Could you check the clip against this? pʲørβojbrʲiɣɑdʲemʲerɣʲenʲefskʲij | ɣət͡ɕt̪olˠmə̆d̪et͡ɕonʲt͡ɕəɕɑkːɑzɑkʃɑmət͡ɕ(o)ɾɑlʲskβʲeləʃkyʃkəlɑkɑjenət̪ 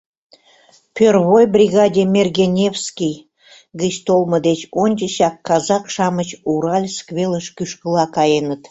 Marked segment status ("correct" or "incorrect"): incorrect